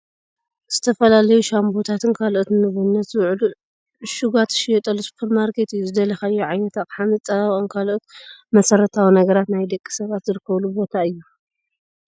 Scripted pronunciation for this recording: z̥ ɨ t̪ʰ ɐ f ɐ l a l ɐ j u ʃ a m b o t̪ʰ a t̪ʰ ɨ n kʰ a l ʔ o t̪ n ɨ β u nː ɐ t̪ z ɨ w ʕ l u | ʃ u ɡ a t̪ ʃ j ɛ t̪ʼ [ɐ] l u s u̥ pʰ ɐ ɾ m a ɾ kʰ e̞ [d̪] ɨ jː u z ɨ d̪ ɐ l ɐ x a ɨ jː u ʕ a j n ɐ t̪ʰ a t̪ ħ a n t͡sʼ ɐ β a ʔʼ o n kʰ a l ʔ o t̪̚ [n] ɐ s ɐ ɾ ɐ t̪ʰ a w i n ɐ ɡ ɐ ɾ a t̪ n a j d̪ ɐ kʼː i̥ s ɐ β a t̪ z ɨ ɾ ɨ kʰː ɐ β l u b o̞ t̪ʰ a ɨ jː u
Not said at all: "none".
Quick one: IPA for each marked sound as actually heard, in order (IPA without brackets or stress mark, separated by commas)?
ɐ, t̪, m